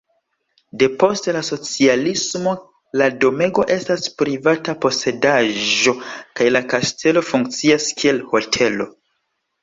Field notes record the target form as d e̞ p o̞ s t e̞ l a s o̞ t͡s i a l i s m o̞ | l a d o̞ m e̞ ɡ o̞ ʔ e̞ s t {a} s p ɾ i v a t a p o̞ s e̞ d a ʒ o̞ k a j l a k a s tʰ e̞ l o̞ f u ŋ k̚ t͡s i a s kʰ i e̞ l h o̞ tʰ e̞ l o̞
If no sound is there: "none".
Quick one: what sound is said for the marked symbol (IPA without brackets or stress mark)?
a